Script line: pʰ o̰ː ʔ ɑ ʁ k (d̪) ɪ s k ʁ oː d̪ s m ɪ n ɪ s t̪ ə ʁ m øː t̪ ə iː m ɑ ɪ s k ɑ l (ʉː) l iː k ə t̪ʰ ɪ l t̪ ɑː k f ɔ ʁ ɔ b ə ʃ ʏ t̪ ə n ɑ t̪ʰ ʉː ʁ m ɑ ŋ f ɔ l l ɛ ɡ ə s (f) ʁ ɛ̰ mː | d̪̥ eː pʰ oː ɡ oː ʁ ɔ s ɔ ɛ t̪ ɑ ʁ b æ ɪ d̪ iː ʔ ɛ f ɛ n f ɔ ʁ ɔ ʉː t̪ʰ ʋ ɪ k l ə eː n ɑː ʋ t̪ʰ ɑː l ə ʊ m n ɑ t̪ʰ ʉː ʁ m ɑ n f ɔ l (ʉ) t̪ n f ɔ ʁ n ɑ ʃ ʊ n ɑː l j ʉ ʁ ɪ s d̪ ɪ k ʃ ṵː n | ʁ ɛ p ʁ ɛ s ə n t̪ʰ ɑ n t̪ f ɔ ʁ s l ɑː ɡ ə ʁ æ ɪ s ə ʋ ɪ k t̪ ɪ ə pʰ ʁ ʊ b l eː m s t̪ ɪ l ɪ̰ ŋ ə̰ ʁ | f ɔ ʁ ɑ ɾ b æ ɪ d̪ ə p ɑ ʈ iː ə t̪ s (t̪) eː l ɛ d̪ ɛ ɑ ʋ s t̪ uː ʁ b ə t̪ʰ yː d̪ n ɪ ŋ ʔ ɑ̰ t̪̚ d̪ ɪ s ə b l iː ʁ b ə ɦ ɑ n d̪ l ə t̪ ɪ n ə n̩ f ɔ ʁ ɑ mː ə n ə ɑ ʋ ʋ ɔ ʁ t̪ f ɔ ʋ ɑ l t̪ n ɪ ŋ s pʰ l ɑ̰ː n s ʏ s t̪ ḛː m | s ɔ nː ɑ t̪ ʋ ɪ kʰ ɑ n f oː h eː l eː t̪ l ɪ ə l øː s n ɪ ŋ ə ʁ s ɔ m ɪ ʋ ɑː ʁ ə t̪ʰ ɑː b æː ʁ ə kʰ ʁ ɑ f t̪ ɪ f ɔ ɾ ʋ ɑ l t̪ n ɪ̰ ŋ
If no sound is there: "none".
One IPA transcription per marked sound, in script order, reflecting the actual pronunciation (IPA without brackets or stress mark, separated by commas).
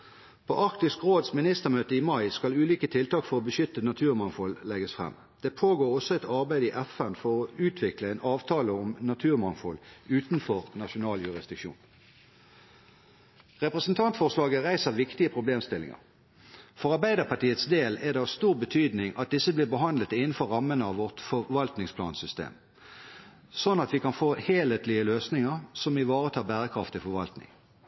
t̪, ʉː, f, ʉː, d̪